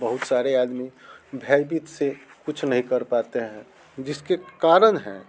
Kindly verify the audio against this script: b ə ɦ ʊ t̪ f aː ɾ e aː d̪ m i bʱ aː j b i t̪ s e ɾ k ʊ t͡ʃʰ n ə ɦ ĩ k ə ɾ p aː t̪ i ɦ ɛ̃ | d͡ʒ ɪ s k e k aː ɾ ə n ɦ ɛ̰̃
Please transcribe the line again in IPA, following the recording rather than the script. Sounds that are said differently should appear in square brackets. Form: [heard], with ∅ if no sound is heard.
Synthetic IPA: b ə ɦ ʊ t̪ [s] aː ɾ e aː d̪ m i bʱ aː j b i t̪ s e [∅] k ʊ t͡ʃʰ n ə ɦ ĩ k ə ɾ p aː t̪ [e] ɦ ɛ̃ | d͡ʒ ɪ s k e k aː ɾ ə n ɦ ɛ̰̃